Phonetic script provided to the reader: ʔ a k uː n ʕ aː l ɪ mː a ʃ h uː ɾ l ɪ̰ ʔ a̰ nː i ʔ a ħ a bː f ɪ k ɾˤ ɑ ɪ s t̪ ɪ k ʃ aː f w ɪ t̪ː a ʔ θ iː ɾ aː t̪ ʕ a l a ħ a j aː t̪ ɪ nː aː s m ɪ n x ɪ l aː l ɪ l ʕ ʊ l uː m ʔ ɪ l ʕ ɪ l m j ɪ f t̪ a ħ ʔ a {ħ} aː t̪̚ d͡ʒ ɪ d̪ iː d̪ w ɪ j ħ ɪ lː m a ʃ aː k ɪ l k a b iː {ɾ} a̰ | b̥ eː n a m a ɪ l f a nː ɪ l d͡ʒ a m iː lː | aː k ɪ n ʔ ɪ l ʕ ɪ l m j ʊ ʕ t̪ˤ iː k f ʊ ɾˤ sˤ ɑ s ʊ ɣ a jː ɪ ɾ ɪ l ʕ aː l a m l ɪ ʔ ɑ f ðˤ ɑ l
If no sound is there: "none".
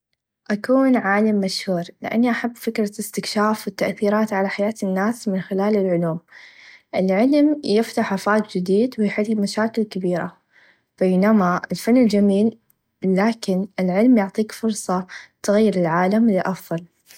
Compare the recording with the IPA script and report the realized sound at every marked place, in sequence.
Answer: f, ɾ

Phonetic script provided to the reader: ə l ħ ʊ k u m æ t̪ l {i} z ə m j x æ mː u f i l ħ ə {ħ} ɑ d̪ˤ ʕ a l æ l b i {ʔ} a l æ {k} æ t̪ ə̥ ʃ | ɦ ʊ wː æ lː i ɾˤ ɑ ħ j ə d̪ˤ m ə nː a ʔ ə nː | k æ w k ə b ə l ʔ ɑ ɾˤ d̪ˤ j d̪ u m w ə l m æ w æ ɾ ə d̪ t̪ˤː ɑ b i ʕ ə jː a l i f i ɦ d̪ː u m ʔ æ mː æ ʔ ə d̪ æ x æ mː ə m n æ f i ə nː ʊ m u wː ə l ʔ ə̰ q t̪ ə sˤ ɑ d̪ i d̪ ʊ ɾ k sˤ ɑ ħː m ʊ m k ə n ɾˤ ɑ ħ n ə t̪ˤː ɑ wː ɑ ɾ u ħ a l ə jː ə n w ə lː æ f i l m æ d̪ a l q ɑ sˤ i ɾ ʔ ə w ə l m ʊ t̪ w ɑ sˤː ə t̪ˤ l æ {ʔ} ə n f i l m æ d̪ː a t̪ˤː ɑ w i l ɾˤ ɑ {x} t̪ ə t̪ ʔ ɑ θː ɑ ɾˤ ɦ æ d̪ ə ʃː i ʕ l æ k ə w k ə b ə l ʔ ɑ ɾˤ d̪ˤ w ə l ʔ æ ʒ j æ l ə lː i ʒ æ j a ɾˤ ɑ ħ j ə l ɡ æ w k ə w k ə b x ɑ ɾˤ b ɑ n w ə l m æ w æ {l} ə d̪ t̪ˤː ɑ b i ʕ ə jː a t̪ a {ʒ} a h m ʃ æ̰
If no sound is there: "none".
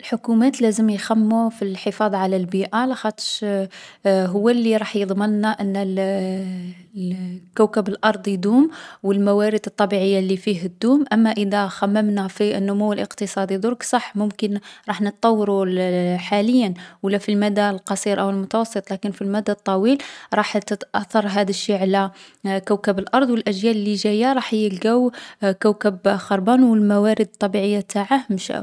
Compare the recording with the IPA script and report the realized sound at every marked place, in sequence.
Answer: æ, f, ʔ, x, k, ħ, ɾ, ʕ

